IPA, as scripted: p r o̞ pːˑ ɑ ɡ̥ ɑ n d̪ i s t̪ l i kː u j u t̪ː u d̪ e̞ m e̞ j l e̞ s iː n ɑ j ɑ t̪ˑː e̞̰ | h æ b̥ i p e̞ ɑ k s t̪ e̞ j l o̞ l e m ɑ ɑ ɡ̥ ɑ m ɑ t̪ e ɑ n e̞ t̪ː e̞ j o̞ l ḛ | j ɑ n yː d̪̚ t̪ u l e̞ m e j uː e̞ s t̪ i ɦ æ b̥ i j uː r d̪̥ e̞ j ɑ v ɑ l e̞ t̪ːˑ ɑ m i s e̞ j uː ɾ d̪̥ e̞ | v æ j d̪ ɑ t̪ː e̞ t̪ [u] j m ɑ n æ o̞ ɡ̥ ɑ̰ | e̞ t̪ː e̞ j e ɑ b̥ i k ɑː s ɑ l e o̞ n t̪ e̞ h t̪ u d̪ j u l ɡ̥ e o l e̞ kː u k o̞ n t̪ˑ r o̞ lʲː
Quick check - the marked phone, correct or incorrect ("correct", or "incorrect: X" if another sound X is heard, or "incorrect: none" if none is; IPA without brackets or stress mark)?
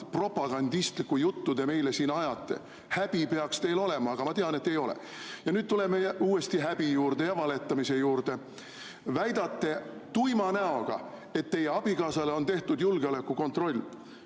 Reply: correct